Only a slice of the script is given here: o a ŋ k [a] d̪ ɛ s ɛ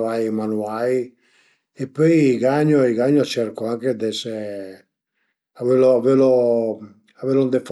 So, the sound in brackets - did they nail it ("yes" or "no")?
no